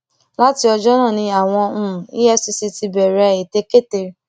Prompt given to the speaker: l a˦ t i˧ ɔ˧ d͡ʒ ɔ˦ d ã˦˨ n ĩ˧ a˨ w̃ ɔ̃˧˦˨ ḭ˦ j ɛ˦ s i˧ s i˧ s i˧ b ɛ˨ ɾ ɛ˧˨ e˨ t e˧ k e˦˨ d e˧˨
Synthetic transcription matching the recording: l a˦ t i˧ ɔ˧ d͡ʒ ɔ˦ n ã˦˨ n ĩ˧ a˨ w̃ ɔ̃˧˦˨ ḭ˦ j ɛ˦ s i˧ s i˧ t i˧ b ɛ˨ ɾ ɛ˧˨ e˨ t e˧ k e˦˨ t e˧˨